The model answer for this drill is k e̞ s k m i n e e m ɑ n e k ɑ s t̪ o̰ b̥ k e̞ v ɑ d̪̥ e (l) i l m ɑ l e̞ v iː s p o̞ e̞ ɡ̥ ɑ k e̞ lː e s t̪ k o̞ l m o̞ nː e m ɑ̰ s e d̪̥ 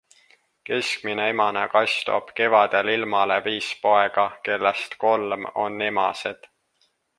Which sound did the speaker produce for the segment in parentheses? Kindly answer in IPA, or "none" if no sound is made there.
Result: l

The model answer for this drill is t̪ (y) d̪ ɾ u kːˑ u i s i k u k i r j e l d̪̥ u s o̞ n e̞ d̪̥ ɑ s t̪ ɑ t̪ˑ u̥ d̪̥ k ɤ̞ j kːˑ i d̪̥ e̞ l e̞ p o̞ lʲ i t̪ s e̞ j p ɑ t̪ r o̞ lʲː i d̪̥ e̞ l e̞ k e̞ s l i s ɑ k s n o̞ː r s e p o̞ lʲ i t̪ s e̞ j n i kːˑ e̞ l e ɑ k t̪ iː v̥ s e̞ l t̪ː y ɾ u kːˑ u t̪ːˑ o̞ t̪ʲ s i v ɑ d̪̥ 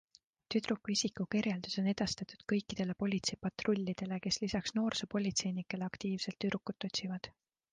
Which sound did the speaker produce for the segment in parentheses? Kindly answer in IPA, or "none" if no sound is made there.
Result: y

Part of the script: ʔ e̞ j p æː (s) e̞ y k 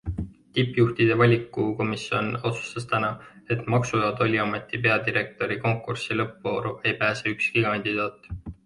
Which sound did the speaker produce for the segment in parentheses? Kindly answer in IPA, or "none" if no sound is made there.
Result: s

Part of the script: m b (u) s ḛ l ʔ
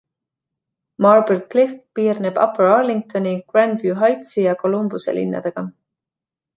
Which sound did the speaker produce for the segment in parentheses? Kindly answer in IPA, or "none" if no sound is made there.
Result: u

